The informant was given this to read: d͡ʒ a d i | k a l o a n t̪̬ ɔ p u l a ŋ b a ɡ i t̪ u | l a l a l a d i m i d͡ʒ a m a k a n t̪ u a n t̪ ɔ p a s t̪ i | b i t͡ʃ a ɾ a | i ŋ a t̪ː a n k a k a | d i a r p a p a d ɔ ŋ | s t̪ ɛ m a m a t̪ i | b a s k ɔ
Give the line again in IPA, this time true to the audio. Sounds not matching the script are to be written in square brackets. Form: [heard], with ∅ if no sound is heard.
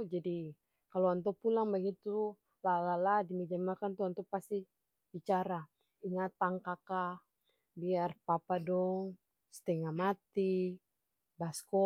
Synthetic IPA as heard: d͡ʒ a d i | k a l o a n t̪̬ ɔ p u l a ŋ b a ɡ i t̪ u | l a l a l a d i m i d͡ʒ a m a k a n t̪ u a n t̪ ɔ p a s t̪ i | b i t͡ʃ a ɾ a | i ŋ a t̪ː a [ŋ] k a k a | [b] i a r p a p a d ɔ ŋ | s t̪ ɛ [ŋ] a m a t̪ i | b a s k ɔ